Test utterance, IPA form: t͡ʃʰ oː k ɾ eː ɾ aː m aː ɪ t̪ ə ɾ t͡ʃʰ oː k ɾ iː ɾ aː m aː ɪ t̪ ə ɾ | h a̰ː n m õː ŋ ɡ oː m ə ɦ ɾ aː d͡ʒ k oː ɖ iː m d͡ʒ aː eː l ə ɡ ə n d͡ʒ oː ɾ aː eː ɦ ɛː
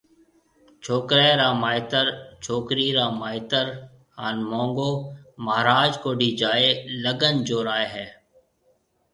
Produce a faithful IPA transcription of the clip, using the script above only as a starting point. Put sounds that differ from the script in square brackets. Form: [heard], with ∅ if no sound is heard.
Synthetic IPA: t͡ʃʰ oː k ɾ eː ɾ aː m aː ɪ t̪ ə ɾ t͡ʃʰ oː k ɾ iː ɾ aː m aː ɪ t̪ ə ɾ | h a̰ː n m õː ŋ ɡ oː m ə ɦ ɾ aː d͡ʒ k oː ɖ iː [∅] d͡ʒ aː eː l ə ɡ ə n d͡ʒ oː ɾ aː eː ɦ ɛː